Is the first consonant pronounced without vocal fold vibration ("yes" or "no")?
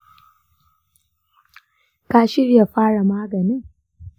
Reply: yes